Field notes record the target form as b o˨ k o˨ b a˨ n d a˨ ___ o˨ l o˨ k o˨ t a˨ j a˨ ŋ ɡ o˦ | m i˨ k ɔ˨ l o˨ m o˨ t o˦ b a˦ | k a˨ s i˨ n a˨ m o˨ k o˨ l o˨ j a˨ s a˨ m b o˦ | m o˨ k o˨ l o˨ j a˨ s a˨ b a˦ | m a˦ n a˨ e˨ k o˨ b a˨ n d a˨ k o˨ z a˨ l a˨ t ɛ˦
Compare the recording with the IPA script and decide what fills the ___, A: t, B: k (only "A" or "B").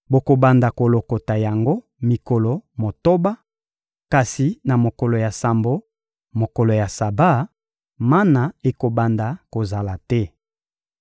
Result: B